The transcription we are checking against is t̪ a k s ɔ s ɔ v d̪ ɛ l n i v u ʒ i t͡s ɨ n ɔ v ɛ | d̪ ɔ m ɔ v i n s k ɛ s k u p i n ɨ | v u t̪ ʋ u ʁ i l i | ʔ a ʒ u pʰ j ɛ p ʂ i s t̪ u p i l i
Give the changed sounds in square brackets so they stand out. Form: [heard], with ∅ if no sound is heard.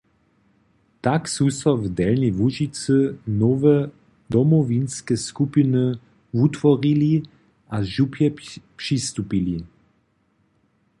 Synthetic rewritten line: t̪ a k s [u] s ɔ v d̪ ɛ l n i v u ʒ i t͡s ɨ n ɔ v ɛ | d̪ ɔ m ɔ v i n s k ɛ s k u p i n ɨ | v u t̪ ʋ [ɔ] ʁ i l i | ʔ a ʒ u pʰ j ɛ p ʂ i s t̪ u p i l i